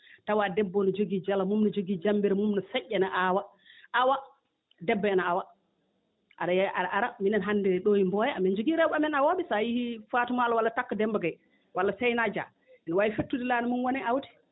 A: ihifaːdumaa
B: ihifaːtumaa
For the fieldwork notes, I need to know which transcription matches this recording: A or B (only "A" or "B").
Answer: B